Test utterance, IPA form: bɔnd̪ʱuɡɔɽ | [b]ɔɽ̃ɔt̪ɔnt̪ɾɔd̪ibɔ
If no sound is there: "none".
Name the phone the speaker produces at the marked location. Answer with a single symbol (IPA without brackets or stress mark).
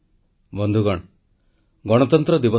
ɡ